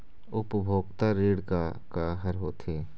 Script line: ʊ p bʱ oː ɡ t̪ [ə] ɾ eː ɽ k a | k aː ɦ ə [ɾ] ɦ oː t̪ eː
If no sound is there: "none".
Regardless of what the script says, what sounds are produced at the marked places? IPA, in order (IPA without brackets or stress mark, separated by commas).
a, ɾ